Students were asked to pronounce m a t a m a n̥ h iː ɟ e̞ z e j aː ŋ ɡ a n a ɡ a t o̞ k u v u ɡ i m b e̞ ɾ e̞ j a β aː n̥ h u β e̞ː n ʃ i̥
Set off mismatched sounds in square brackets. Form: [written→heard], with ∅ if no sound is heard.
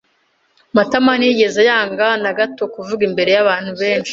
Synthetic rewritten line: m a t a m a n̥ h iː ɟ e̞ z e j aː ŋ ɡ a n a ɡ a t o̞ k u v u ɡ i m b e̞ ɾ e̞ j a β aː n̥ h u β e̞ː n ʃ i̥

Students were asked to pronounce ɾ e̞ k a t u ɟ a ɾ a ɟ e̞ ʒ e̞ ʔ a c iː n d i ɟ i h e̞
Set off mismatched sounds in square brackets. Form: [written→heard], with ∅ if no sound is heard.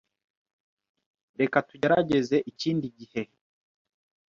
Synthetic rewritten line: ɾ e̞ k a t u ɟ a ɾ a ɟ e̞ [ʒ→z] e̞ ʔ [a→i] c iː n d i ɟ i h e̞

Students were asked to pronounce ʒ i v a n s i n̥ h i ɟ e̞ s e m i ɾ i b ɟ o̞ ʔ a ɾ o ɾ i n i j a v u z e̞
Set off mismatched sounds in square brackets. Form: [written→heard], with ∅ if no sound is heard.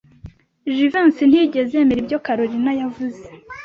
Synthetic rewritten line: ʒ i v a n s i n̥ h i ɟ e̞ [s→z] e m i ɾ i b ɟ o̞ [ʔ→k] a ɾ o ɾ i n [i→a] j a v u z e̞

